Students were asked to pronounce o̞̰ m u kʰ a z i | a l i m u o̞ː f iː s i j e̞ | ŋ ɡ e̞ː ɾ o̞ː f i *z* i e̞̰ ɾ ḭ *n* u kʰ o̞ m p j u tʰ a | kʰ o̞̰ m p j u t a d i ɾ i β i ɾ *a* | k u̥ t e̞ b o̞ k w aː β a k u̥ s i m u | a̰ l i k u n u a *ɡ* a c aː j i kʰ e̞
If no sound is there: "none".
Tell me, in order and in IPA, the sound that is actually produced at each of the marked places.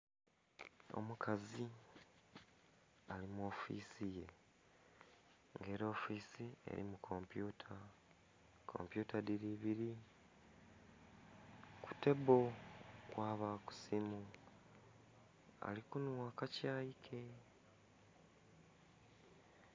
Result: s, m, i, k

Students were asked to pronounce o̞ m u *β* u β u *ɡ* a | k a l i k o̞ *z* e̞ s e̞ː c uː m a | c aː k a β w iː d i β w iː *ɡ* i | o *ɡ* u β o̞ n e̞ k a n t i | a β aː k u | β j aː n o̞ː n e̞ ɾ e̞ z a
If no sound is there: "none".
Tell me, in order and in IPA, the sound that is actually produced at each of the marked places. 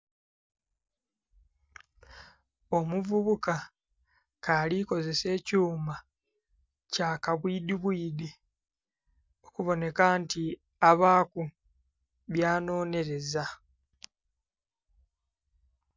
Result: v, k, z, d, k

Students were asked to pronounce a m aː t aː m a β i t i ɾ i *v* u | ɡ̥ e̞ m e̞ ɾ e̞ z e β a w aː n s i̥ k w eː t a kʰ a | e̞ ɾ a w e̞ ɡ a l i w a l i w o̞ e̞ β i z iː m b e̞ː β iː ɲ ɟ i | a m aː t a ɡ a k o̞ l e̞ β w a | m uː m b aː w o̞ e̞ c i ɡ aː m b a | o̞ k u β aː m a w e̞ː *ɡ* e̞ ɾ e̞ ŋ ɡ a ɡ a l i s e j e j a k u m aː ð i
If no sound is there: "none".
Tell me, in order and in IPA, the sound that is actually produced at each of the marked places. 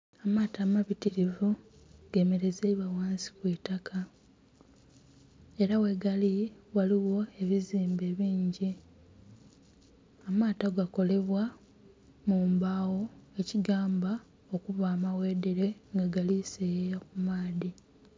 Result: v, d

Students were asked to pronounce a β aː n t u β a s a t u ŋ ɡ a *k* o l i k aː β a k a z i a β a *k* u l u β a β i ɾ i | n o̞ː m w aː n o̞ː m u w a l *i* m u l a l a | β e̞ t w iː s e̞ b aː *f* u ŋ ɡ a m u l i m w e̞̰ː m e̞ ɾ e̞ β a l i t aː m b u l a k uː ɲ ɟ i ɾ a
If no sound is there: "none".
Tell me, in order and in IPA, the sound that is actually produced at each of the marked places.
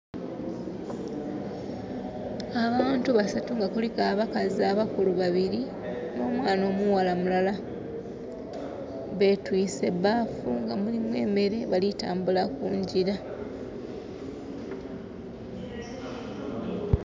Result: k, k, a, f

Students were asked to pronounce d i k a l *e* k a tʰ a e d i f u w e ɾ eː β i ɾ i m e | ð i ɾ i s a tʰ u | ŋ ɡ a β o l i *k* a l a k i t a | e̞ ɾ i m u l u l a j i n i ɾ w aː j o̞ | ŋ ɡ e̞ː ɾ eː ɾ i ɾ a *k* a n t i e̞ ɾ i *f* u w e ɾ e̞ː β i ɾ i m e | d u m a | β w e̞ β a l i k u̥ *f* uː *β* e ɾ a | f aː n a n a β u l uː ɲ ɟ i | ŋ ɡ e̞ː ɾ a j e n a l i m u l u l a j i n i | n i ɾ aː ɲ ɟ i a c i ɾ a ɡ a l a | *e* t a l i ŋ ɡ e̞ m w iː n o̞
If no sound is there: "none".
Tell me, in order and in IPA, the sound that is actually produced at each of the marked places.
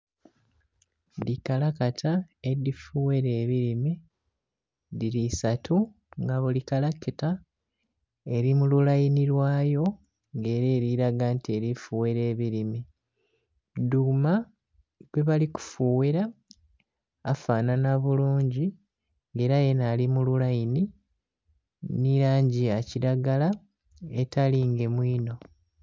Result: a, k, ɡ, f, f, w, e

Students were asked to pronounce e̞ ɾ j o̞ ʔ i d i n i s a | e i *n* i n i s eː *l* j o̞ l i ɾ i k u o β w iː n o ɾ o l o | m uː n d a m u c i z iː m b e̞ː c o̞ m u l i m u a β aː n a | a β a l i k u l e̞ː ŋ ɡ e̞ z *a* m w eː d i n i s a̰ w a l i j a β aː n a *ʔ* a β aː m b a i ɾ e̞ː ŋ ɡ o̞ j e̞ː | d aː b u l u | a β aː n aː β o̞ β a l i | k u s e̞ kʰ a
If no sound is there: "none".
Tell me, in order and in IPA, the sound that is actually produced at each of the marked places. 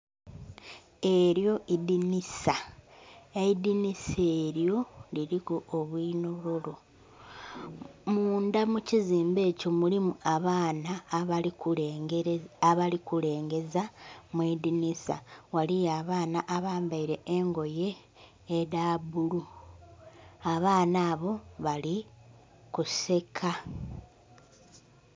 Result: d, ɾ, a, ʔ

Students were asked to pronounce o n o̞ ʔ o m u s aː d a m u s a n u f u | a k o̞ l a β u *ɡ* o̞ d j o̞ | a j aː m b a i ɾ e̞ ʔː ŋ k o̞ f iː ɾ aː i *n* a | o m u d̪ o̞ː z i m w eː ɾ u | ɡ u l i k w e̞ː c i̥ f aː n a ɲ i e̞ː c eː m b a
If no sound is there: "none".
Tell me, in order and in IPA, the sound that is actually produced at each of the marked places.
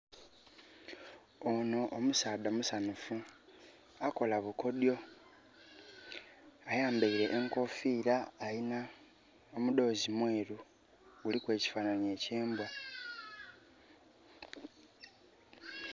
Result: k, n

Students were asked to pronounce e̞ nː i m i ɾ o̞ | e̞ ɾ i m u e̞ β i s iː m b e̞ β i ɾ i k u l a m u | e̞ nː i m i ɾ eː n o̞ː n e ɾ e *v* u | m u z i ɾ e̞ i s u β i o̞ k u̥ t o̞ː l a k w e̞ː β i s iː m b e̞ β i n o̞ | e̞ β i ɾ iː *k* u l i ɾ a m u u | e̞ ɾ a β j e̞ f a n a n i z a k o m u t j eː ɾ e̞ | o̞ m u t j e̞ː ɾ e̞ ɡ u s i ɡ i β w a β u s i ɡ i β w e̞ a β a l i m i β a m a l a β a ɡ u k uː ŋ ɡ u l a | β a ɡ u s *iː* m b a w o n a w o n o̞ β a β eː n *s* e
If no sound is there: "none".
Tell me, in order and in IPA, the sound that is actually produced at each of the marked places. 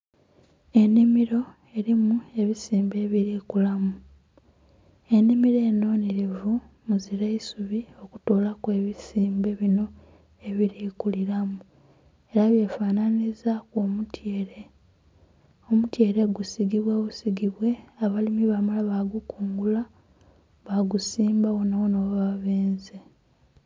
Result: v, k, iː, z

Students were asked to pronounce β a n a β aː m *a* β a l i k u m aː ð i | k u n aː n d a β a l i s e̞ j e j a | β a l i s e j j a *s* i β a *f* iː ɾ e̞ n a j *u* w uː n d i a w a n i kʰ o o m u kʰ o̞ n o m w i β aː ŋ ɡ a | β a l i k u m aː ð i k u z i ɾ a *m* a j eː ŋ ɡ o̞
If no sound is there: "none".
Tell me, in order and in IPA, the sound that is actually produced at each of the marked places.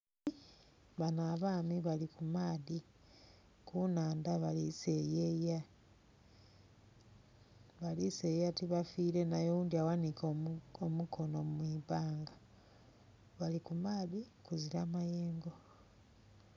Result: i, t, f, o, m

